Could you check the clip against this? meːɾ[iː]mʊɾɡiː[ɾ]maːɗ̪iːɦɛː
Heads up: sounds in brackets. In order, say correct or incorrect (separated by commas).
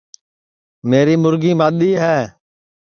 correct, incorrect